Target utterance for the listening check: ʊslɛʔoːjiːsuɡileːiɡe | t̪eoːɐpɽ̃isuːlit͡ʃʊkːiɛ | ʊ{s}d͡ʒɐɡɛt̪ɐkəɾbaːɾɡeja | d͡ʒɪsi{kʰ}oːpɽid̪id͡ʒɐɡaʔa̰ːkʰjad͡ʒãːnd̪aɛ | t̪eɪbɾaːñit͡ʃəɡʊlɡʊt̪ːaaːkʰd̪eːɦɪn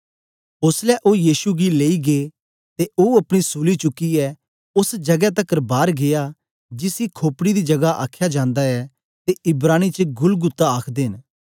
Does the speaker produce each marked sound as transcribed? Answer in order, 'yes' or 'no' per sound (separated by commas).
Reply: yes, yes